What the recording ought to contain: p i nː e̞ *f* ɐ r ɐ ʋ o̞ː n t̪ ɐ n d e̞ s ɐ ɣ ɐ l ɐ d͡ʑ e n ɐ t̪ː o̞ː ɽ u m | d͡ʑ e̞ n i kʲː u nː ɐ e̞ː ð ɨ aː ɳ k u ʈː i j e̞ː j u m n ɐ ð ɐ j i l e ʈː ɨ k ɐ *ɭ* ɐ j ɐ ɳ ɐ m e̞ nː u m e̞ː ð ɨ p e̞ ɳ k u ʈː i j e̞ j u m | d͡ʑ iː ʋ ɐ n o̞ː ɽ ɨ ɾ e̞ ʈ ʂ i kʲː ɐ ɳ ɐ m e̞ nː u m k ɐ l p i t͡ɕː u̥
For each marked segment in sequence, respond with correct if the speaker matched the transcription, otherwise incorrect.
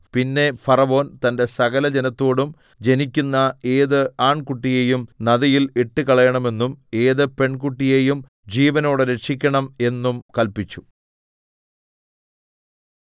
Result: correct, correct

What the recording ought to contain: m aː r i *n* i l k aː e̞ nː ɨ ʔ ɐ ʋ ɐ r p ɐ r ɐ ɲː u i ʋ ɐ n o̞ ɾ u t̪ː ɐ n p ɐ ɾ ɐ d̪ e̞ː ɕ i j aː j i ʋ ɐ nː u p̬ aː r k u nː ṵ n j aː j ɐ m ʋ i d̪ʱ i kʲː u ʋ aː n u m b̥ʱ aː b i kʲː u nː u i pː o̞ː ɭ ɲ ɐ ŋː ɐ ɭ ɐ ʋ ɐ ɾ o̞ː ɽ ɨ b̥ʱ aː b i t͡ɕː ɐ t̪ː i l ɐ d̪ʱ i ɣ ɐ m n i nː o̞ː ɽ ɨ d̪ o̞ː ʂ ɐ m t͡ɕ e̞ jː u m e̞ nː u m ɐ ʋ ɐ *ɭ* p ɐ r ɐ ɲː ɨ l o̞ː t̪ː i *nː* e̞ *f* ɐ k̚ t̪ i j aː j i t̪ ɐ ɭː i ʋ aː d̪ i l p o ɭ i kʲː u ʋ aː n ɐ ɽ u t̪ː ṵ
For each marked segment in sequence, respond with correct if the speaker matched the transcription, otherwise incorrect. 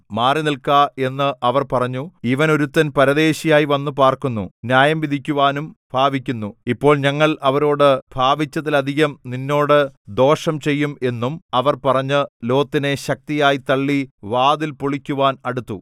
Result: correct, incorrect, incorrect, incorrect

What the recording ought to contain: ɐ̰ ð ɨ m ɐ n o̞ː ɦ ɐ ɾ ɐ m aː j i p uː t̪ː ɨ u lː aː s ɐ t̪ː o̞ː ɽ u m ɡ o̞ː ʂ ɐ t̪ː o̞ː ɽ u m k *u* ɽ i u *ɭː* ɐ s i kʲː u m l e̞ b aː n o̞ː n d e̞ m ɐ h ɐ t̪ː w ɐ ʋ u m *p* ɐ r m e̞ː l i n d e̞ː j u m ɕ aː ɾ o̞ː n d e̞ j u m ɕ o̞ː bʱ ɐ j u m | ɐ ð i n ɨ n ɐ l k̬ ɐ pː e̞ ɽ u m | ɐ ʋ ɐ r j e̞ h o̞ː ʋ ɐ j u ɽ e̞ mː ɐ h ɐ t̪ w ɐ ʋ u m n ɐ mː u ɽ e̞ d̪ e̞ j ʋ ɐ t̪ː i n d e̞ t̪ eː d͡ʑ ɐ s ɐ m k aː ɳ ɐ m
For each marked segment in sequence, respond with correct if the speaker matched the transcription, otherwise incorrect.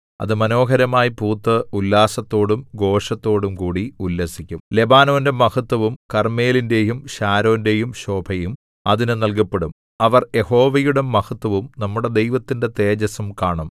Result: incorrect, incorrect, incorrect

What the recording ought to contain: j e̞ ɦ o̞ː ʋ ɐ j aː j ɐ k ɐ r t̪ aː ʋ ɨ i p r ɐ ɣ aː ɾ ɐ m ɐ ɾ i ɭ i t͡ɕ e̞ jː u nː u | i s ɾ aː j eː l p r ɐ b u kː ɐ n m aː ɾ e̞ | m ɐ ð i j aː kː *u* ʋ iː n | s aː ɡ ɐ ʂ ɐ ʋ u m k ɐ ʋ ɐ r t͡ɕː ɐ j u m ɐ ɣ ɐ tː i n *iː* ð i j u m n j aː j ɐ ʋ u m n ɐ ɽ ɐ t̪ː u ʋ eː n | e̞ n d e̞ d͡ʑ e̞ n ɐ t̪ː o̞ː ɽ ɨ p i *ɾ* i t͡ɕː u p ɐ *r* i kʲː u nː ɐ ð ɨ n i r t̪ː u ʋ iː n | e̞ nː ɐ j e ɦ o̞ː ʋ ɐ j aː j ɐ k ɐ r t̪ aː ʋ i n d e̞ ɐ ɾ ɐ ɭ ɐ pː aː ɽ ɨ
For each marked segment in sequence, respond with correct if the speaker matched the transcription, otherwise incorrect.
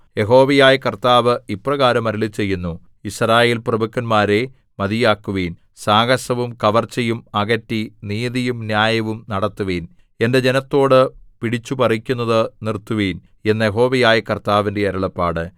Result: correct, correct, incorrect, correct

